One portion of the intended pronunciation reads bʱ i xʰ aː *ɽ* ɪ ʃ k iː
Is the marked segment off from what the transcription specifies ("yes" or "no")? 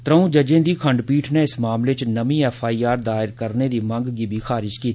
yes